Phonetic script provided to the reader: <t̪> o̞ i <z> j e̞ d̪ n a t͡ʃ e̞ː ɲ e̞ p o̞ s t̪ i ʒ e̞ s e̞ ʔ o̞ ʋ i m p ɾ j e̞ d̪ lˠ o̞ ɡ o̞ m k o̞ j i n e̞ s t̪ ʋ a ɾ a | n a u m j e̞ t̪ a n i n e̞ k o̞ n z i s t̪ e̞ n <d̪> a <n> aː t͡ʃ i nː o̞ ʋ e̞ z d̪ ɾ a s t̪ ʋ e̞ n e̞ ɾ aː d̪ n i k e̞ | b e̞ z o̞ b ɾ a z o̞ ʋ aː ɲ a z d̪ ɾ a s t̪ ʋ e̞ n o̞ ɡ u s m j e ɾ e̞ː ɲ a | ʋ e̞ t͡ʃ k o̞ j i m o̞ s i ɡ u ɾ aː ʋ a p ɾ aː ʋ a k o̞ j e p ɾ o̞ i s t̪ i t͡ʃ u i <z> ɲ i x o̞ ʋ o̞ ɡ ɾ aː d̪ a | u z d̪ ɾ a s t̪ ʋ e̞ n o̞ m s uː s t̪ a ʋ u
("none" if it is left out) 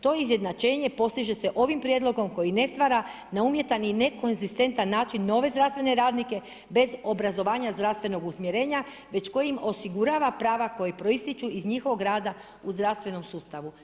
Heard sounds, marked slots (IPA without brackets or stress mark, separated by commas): t̪, z, t̪, nː, z